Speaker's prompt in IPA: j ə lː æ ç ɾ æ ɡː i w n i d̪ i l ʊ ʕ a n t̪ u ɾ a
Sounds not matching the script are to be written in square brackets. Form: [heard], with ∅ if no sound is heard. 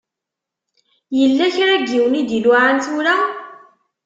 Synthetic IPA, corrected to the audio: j ə lː æ ç ɾ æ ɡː i w n i d̪ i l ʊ ʕ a n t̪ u ɾ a